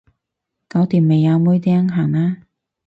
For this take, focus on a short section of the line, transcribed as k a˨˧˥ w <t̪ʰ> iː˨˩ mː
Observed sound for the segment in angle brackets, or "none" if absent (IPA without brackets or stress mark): t̪